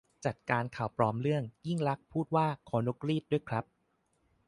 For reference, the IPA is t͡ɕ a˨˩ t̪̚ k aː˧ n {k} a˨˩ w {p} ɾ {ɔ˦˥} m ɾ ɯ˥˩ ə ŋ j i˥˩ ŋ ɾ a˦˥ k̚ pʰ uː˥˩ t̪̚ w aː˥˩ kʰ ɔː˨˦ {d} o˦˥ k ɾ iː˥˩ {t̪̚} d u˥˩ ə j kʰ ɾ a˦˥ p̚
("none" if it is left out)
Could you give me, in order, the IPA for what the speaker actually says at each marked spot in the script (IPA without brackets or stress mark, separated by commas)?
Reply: kʰ, p, ɔː˦˥, n, t̪̚